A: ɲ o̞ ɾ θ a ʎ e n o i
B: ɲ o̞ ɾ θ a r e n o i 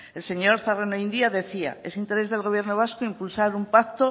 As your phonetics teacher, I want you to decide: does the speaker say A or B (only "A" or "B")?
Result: B